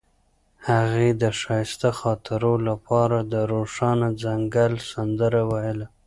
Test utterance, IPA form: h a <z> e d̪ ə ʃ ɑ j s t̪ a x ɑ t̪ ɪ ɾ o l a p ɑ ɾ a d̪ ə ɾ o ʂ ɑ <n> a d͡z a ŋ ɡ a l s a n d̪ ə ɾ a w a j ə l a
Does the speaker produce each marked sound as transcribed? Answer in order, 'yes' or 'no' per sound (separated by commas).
no, yes